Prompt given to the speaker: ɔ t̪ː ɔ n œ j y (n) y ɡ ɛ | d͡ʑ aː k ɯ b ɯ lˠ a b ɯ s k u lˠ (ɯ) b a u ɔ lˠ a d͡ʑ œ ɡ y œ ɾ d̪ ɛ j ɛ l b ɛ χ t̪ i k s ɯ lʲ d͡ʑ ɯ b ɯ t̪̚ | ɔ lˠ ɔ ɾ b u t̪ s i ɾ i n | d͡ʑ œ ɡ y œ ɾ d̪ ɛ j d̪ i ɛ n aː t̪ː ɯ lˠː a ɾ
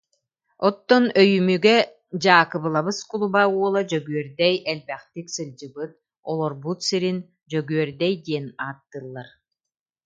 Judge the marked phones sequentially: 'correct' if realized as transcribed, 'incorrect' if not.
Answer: incorrect: m, incorrect: u

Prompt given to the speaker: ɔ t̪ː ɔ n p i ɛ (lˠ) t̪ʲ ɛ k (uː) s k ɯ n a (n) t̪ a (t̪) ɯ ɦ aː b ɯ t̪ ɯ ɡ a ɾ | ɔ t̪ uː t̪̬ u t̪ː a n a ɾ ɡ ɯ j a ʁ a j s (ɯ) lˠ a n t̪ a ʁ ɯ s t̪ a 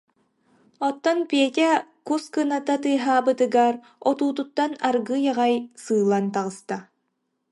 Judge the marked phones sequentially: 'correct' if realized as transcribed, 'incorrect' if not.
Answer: incorrect: none, incorrect: u, incorrect: none, correct, incorrect: ɯː

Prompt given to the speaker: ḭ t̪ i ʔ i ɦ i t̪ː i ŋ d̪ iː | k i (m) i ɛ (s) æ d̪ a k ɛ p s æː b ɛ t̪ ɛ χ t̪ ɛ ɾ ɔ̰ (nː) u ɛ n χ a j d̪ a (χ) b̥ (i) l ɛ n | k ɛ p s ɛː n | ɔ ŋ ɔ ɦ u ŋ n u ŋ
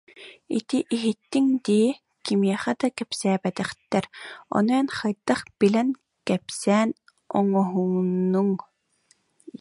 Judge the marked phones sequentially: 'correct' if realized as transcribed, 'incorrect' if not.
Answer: correct, incorrect: χ, incorrect: n, correct, correct

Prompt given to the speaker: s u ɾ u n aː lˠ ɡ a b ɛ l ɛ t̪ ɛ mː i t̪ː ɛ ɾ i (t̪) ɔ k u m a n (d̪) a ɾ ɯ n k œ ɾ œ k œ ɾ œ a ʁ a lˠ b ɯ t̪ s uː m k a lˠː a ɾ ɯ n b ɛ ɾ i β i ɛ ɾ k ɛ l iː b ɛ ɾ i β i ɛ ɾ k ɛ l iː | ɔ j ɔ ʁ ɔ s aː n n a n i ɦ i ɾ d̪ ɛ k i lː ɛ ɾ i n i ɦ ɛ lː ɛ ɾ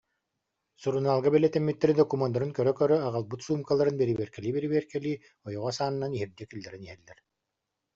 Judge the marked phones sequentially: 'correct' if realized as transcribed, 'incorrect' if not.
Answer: incorrect: d̪, correct

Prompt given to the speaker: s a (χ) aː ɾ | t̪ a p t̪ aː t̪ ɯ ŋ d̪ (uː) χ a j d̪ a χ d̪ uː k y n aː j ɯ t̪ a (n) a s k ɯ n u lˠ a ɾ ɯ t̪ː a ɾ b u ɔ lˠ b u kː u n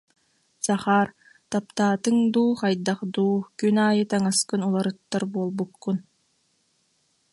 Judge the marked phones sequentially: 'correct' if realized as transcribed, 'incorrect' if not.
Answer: correct, correct, incorrect: ŋ

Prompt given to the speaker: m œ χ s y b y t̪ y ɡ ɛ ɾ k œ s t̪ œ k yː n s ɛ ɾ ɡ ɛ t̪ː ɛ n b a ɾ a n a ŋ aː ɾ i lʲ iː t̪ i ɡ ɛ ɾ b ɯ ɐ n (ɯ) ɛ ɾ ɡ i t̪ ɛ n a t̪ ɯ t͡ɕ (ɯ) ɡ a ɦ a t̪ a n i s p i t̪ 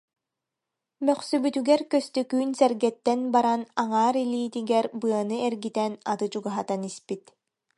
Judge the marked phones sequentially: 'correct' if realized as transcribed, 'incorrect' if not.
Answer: correct, incorrect: u

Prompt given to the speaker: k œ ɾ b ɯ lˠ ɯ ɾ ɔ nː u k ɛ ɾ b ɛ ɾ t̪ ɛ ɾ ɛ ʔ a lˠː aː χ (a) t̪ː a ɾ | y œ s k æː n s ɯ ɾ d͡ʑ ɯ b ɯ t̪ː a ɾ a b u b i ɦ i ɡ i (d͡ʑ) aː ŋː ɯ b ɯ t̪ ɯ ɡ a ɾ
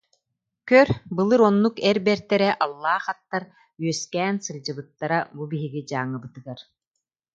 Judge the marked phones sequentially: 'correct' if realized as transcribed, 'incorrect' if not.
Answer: correct, correct

